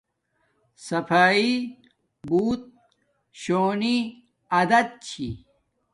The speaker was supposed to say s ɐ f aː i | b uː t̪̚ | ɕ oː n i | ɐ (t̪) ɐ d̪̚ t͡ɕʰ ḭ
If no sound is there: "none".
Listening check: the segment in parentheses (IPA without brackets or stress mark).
d̪